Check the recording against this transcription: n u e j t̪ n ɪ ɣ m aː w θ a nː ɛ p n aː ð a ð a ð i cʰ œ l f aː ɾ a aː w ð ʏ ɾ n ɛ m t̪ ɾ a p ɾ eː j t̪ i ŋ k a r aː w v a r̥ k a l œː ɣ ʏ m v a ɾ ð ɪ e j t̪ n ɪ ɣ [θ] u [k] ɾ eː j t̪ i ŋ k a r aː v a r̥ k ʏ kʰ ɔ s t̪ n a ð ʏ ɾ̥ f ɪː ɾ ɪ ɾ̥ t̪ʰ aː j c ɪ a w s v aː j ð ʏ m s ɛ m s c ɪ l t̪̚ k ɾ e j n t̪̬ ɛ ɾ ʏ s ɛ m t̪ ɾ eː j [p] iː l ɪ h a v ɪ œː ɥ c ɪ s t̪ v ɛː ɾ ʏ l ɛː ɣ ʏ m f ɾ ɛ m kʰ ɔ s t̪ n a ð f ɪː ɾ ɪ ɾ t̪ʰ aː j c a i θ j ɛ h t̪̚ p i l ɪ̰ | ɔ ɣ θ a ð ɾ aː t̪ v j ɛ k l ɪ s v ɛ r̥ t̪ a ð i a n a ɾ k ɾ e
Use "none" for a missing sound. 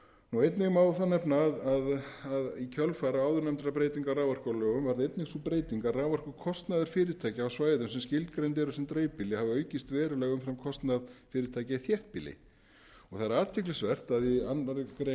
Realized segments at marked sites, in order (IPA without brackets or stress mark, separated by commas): s, p, p